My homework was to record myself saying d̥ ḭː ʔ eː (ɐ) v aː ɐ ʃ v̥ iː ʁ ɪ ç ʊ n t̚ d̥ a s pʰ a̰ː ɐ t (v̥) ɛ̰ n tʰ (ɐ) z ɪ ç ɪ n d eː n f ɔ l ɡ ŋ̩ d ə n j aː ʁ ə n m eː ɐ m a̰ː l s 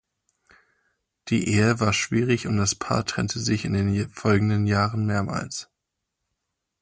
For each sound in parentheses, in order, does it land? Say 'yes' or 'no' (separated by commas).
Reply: no, no, no